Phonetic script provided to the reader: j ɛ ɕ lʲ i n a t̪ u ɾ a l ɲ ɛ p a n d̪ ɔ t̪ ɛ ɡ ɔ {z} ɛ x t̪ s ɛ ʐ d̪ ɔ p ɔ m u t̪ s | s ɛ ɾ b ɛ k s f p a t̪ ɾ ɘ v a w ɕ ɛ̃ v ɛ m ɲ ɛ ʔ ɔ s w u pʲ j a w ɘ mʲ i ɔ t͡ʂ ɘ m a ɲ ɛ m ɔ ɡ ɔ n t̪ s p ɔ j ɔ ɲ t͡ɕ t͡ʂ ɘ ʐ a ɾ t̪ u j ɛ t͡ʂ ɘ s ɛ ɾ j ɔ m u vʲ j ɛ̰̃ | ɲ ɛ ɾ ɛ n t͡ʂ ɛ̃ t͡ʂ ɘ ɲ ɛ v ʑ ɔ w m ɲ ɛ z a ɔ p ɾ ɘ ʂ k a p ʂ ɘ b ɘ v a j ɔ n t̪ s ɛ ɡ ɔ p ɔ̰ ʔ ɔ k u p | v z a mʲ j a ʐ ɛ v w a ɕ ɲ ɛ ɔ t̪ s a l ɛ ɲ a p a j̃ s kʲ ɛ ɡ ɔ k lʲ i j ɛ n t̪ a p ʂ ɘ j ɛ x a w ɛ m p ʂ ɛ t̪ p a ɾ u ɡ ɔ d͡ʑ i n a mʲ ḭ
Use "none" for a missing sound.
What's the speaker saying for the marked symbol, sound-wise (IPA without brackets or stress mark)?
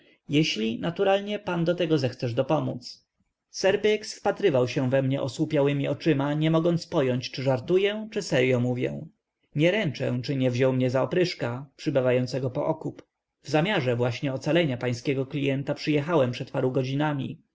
z